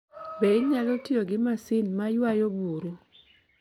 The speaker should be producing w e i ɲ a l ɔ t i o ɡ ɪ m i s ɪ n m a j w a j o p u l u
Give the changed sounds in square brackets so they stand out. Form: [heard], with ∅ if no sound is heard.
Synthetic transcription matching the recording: [b] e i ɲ a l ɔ t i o ɡ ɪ m [a] s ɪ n m a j w a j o [b] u [ɾ] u